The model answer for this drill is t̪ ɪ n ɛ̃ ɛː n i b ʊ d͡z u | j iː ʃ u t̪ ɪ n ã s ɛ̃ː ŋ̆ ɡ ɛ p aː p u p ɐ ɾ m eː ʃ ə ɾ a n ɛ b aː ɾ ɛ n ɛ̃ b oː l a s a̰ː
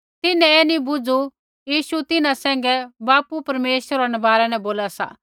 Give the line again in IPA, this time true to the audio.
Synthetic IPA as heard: t̪ ɪ n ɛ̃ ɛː n i b ʊ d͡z u | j iː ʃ u t̪ ɪ n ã s ɛ̃ː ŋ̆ ɡ ɛ b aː p u p ɐ ɾ m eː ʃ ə ɾ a n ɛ b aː ɾ ɛ n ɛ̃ b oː l a s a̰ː